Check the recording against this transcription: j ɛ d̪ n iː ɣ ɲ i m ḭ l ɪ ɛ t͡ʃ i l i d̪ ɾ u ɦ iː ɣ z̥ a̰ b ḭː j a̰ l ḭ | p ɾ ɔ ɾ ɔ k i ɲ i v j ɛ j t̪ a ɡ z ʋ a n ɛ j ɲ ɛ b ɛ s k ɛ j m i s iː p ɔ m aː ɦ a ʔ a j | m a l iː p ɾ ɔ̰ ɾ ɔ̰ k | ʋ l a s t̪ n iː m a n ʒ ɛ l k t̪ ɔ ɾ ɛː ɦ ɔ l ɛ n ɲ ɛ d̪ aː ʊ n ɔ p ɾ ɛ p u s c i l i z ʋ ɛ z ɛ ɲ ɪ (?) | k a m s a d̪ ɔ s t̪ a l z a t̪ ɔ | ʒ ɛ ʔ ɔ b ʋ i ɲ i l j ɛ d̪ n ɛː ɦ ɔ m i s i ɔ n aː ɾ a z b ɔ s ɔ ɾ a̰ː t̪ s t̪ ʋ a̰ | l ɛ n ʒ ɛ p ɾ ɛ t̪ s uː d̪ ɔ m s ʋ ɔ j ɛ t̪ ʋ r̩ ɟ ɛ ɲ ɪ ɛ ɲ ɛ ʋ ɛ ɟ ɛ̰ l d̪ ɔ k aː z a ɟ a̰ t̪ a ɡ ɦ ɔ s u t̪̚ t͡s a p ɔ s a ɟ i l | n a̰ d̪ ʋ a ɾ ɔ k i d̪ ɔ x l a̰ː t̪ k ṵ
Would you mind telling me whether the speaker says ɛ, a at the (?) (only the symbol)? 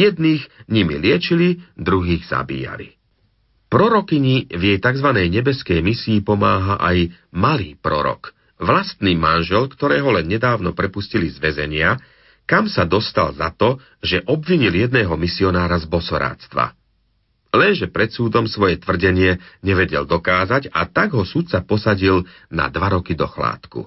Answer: a